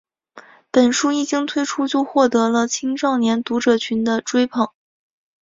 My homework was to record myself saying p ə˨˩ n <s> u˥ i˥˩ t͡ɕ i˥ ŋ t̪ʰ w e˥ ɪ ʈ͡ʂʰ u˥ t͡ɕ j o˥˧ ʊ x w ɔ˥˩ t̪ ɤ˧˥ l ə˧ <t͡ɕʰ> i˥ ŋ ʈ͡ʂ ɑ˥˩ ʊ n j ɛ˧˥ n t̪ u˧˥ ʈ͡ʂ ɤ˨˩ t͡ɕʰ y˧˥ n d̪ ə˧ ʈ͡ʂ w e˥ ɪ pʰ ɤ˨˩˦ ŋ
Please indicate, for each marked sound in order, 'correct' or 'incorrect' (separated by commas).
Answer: incorrect, correct